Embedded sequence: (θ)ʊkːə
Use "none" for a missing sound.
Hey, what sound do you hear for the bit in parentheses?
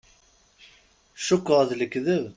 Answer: ʃ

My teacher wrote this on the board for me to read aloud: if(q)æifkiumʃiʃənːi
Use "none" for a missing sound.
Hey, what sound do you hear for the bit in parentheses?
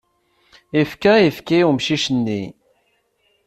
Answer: k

